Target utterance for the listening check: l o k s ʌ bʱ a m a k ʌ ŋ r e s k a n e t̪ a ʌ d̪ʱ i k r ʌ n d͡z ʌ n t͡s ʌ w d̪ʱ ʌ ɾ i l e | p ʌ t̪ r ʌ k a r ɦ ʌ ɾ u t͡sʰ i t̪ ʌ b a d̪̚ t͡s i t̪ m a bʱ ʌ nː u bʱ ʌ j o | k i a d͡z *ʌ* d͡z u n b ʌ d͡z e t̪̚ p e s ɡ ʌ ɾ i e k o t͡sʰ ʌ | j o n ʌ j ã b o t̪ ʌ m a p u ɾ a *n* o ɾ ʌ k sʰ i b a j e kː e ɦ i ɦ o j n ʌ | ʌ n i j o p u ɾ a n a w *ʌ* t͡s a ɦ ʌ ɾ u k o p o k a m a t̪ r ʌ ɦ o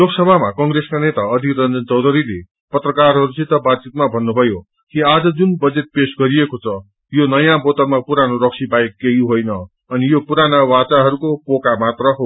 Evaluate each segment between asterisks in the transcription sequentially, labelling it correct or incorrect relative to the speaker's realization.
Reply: correct, correct, incorrect: a

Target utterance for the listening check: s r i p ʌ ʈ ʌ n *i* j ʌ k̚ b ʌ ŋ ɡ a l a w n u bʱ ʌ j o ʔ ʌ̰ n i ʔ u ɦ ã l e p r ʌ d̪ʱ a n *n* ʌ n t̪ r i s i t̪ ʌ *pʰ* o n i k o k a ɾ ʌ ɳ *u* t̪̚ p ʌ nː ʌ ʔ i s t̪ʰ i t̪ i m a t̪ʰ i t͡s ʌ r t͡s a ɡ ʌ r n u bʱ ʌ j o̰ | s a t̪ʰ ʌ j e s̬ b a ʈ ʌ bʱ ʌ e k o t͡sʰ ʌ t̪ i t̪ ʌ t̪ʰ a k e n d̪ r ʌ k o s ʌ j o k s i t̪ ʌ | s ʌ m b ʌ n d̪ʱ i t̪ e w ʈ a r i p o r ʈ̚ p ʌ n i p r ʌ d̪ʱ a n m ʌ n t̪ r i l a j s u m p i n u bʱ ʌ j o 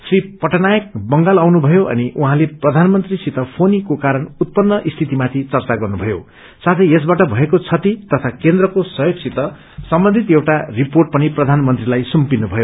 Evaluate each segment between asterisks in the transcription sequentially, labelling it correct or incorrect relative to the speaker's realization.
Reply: incorrect: a, incorrect: m, correct, correct

